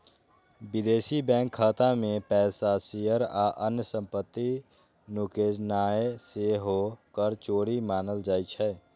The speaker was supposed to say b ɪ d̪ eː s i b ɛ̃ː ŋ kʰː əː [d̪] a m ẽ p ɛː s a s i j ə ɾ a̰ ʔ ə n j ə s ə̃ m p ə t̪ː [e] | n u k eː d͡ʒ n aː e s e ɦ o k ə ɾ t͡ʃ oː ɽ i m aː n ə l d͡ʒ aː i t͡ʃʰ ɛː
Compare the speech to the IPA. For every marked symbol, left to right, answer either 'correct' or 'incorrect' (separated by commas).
incorrect, incorrect